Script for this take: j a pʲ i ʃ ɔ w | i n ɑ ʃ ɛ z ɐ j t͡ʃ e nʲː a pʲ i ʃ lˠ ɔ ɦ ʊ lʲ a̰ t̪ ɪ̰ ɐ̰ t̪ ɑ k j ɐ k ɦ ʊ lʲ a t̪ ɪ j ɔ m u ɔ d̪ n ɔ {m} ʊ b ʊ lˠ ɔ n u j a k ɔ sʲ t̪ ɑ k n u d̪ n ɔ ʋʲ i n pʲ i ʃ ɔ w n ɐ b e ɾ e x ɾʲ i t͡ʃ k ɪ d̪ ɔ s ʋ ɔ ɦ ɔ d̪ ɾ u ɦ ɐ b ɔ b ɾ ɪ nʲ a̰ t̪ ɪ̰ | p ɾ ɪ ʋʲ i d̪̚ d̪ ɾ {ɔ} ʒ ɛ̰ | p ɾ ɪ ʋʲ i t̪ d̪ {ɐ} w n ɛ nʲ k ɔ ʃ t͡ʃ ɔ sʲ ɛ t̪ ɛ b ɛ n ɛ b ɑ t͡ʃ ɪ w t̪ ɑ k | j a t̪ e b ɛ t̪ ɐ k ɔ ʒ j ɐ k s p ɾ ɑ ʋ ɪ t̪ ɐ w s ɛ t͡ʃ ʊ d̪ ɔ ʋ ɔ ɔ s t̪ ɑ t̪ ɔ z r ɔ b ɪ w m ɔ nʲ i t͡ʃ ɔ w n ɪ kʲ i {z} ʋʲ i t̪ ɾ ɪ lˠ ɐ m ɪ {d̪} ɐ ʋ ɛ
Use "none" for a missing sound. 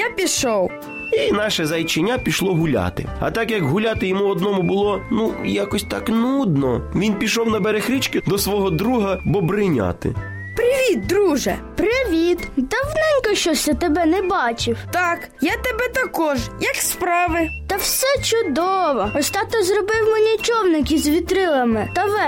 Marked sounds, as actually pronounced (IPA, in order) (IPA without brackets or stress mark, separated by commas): m, u, ɐ, z, t̪